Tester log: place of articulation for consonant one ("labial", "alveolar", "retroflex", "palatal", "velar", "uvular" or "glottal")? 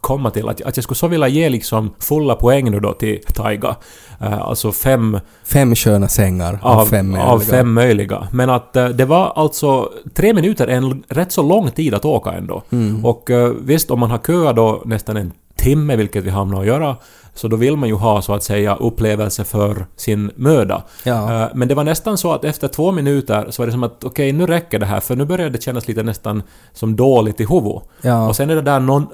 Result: velar